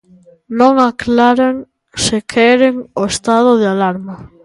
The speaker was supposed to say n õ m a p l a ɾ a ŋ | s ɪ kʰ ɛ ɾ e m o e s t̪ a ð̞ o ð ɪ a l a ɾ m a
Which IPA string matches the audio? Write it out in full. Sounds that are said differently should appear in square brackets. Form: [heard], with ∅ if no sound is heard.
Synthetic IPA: n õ [ŋ] a [k] l a ɾ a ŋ | s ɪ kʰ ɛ ɾ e [ŋ] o e s t̪ a ð̞ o ð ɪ a l a ɾ m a

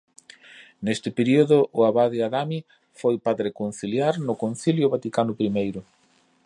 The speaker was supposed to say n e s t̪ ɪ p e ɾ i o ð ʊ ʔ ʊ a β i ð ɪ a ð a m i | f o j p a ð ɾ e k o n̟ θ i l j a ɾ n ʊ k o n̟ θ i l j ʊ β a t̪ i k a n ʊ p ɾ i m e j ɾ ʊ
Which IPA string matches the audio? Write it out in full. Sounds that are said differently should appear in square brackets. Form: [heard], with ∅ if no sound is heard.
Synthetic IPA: n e s t̪ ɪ p e ɾ i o ð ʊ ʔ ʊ a β [a] ð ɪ a ð a m i | f o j p a ð ɾ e k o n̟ θ i l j a ɾ n ʊ k o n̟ θ i l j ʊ β a t̪ i k a n ʊ p ɾ i m e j ɾ ʊ

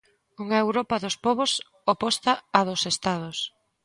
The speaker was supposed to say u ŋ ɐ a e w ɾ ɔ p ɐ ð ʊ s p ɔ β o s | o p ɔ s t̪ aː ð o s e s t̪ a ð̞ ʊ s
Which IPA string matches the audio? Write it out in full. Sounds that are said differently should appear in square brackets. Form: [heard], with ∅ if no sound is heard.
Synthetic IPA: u ŋ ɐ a e w ɾ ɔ p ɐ ð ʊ s p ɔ β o s | o p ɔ s t̪ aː ð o s e s t̪ a ð̞ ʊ s

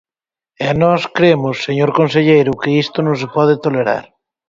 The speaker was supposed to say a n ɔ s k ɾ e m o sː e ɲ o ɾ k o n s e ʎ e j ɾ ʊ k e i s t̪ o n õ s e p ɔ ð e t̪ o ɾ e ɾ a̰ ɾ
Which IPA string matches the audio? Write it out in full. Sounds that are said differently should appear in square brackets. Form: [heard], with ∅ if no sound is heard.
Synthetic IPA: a n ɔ s k ɾ e m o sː e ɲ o ɾ k o n s e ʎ e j ɾ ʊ k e i s t̪ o n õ s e p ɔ ð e t̪ o [l] e ɾ a̰ ɾ

